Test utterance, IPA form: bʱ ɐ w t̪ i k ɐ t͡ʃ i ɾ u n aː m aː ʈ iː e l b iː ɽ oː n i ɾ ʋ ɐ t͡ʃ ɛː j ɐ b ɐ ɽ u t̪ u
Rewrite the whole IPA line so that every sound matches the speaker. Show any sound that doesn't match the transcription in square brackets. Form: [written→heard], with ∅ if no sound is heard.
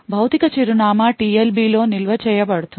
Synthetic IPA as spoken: bʱ ɐ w t̪ i k ɐ t͡ʃ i ɾ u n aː m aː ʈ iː e l b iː [ɽ→l] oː n i [ɾ→l] ʋ ɐ t͡ʃ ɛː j ɐ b ɐ ɽ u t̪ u